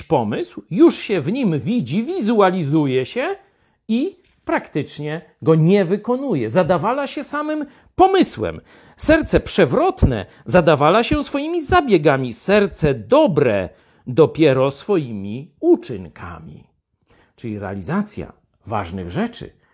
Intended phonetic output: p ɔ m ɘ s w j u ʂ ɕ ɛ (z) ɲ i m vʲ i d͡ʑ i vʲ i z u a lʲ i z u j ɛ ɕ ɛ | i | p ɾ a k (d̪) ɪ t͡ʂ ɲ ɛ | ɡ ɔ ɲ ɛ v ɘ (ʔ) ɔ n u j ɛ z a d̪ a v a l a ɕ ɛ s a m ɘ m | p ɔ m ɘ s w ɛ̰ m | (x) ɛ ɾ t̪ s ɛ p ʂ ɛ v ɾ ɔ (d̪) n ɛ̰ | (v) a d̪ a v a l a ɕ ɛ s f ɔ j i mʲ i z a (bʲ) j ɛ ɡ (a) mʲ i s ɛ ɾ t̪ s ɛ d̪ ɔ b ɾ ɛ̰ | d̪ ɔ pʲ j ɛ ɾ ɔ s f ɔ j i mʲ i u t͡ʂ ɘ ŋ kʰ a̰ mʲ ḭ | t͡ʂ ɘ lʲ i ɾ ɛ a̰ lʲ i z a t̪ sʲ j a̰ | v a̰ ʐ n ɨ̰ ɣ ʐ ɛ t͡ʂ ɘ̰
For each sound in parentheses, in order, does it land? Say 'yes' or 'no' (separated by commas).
no, no, no, no, no, no, yes, yes